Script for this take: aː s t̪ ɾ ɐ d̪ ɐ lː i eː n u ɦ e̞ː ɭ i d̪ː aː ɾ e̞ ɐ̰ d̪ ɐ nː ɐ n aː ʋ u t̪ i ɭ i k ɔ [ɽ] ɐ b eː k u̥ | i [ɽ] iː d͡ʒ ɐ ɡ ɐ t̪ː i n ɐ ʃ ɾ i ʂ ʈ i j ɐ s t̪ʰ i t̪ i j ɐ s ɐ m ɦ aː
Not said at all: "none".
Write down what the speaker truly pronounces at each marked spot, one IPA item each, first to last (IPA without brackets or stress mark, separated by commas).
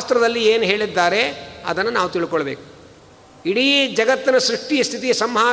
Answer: ɭ, ɽ